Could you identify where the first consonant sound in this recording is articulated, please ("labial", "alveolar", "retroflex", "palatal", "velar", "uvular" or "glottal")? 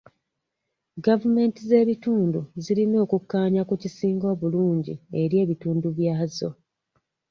velar